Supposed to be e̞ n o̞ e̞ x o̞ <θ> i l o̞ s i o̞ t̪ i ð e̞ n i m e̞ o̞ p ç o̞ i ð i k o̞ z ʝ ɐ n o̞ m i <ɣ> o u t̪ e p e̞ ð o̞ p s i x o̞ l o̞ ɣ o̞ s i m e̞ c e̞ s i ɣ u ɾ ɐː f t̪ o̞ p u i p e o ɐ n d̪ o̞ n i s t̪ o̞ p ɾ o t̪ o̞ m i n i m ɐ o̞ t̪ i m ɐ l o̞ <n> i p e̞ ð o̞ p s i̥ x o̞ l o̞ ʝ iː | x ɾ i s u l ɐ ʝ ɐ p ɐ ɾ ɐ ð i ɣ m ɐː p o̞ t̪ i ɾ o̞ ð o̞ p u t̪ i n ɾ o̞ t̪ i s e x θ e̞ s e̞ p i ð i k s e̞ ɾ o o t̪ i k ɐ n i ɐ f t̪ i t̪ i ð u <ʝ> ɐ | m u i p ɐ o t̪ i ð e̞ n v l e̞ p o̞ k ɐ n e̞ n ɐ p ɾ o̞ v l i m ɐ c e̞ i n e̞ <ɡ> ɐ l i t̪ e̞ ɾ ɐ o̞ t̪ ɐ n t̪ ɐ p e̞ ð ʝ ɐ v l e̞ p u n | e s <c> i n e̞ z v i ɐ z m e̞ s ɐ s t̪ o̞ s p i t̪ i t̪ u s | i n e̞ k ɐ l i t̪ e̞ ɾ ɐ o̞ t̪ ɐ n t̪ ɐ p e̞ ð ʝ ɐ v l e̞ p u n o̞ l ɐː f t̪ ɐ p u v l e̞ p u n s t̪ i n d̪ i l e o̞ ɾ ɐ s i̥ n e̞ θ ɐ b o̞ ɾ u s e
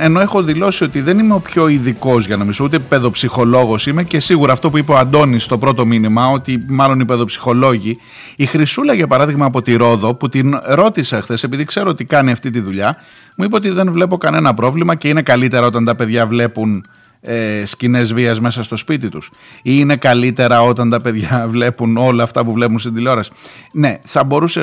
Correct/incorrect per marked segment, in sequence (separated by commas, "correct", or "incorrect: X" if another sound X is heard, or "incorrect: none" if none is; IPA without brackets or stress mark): incorrect: ð, incorrect: z, correct, incorrect: ʎ, incorrect: k, correct